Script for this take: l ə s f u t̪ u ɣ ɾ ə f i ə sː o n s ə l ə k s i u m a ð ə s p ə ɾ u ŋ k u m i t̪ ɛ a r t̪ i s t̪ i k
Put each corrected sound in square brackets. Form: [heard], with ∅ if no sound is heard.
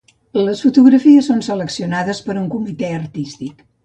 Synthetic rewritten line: l ə s f u t̪ u ɣ ɾ ə f i ə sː o n s ə l ə k s i u [n] a ð ə s p ə ɾ u ŋ k u m i t̪ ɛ [ə] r t̪ i s t̪ i k